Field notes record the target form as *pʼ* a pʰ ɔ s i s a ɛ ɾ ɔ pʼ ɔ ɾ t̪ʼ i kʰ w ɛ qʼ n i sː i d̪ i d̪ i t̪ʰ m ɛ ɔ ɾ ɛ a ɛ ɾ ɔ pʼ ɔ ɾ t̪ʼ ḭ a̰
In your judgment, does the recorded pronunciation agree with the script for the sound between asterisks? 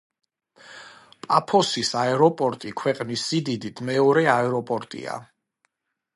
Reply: yes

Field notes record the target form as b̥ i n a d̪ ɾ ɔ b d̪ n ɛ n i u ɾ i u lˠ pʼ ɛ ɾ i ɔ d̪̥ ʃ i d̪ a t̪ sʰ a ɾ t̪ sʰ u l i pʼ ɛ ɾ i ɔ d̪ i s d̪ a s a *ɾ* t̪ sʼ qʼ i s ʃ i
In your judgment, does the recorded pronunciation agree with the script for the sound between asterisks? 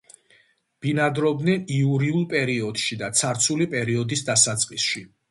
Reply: no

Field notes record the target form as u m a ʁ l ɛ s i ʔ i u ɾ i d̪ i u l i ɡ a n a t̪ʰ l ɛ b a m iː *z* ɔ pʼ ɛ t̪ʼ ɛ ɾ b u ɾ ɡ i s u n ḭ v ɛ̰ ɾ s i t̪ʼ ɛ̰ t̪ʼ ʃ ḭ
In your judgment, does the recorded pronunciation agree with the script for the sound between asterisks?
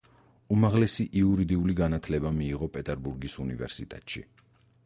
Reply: no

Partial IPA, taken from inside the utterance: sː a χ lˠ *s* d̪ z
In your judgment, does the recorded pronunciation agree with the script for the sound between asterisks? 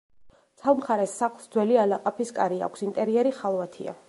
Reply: yes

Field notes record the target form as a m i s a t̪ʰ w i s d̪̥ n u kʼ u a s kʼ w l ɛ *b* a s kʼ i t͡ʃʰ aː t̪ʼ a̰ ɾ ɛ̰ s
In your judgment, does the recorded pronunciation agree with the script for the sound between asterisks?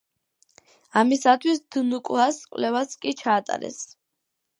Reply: no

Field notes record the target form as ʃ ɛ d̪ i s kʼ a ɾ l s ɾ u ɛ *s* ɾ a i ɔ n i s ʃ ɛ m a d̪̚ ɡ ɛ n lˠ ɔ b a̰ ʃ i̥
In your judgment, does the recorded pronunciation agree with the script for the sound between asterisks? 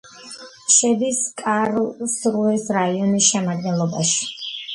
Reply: yes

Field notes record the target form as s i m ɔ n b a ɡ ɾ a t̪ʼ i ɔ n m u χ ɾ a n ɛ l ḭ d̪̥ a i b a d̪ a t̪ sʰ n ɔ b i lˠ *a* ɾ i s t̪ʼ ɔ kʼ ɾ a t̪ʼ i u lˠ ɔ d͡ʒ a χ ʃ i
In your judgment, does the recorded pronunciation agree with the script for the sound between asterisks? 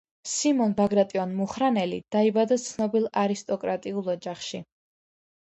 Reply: yes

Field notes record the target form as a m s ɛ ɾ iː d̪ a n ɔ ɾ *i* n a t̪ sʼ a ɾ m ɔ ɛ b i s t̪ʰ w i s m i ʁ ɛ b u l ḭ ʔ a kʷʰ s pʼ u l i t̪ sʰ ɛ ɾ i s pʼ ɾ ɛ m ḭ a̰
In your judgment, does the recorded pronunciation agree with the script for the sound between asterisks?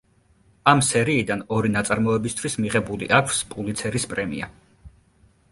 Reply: yes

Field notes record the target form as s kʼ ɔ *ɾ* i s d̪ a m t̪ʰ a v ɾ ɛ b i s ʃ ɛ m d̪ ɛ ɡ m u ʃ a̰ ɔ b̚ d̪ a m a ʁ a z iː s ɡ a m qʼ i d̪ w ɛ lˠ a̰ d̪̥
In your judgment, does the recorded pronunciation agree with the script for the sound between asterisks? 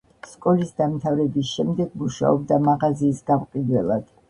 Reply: no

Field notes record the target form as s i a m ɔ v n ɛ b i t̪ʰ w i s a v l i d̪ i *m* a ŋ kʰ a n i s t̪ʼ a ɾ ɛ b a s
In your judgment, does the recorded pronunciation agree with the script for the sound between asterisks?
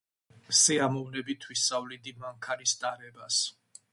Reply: yes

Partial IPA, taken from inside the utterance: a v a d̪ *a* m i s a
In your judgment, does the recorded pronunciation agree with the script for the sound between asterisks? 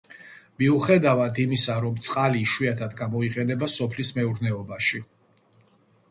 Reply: no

